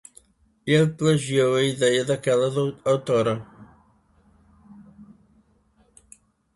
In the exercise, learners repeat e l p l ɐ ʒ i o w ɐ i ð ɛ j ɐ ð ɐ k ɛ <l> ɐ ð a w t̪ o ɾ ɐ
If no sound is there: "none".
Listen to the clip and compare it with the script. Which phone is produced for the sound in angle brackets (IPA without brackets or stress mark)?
l